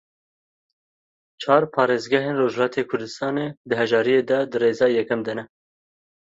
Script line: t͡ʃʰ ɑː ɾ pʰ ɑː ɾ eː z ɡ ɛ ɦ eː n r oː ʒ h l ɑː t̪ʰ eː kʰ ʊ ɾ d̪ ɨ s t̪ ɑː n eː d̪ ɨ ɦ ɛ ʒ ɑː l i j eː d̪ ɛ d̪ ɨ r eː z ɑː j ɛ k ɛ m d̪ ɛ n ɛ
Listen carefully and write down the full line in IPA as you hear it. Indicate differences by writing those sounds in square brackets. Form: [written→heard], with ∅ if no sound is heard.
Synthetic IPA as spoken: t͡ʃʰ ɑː ɾ pʰ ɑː ɾ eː z ɡ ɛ ɦ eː n r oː ʒ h l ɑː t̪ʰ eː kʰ ʊ ɾ d̪ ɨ s t̪ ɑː n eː d̪ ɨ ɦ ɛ ʒ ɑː [l→ɾ] i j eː d̪ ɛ d̪ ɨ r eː z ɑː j ɛ k ɛ m d̪ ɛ n ɛ